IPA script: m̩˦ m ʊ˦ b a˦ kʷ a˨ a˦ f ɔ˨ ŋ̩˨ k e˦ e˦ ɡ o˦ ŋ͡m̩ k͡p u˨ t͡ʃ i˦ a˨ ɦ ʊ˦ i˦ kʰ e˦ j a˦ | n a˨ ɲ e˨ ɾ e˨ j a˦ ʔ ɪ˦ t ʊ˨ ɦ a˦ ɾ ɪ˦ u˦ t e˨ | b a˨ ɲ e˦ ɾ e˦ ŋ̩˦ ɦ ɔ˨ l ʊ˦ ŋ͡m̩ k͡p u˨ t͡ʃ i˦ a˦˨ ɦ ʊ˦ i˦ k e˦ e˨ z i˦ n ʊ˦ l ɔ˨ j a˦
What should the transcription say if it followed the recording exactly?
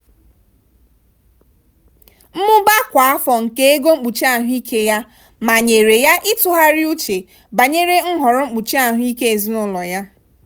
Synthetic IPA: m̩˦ m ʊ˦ b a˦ kʷ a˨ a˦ f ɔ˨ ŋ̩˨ k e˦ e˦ ɡ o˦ ŋ͡m̩ k͡p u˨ t͡ʃ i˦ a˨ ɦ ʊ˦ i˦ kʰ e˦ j a˦ | m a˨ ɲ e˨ ɾ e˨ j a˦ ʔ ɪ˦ t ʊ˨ ɦ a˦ ɾ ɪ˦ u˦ t͡ʃ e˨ | b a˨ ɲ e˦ ɾ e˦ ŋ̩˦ ɦ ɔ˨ ɾ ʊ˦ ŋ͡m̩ k͡p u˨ t͡ʃ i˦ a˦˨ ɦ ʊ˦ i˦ k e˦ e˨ z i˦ n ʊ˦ l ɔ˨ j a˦